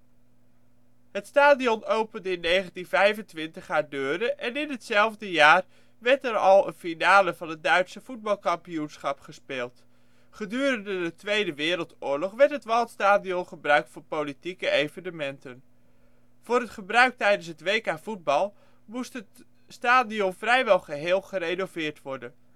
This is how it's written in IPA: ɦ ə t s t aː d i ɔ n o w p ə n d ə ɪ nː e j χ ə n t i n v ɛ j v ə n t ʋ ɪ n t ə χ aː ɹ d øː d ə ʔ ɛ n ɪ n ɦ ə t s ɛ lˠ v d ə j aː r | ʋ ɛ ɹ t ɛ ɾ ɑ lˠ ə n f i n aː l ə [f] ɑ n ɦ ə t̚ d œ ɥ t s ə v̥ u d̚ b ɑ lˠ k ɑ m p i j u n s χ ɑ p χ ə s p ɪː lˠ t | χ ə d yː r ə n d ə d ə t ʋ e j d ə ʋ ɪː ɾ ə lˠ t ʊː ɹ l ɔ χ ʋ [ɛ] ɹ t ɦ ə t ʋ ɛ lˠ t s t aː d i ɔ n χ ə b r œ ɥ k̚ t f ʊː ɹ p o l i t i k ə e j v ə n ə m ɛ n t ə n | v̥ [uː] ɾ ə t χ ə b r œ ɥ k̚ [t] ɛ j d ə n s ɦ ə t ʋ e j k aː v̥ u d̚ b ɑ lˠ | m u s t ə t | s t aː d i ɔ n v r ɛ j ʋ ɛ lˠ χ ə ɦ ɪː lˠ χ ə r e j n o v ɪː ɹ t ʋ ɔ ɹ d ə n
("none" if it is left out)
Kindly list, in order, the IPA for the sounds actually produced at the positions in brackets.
v, ɛ, ʊː, t

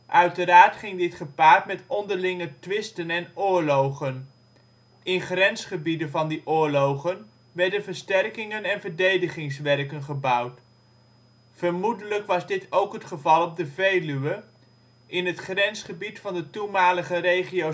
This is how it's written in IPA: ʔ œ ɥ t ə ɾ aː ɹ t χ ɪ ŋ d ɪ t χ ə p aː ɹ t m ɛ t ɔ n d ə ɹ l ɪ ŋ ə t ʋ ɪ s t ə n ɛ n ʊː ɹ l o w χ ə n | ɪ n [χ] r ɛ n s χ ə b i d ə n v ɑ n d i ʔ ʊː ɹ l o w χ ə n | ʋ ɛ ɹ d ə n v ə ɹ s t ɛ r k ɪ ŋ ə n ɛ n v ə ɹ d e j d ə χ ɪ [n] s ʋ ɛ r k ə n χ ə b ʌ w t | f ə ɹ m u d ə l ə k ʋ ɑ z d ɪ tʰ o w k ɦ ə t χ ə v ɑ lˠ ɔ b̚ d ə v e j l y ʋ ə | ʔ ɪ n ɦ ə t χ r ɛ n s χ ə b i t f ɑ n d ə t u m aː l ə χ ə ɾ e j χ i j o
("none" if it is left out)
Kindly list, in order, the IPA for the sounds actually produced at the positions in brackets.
χ, ŋ

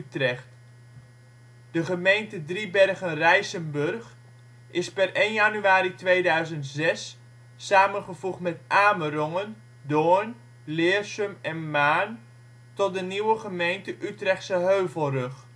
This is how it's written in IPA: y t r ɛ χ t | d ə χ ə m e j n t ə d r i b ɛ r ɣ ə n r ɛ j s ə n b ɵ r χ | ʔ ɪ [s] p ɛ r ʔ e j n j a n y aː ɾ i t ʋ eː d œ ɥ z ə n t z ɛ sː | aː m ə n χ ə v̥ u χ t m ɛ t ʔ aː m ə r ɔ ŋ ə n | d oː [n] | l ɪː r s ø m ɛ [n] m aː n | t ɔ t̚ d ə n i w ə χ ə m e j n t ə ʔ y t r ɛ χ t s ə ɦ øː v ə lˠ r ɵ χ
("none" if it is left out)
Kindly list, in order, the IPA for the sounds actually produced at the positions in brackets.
s, n, n

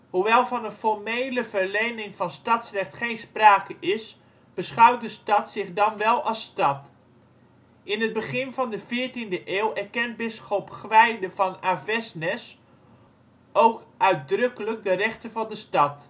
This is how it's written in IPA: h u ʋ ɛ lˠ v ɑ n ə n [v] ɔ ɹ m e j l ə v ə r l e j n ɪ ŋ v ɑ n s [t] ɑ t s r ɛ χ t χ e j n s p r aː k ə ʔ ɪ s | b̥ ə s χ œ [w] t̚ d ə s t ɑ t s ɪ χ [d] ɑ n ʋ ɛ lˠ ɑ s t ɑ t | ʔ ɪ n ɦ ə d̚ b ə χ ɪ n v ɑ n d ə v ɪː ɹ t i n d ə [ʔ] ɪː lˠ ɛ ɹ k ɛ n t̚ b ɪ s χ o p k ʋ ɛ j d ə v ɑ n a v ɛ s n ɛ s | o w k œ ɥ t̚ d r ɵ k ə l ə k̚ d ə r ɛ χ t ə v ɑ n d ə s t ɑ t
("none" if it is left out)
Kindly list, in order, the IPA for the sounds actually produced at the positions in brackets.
f, t, w, d, ʔ

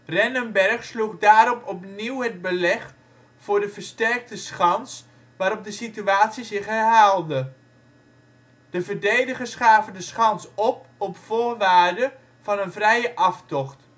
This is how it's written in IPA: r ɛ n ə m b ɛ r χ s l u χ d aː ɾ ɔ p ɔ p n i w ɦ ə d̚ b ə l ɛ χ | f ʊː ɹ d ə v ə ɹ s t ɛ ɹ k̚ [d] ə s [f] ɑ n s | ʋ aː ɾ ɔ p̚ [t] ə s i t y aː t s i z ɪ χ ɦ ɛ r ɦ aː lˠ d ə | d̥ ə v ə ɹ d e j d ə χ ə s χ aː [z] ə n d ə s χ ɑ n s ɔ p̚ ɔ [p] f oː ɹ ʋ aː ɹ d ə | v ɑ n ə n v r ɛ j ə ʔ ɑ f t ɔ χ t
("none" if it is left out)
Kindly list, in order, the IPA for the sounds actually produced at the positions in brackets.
t, χ, d, v, p

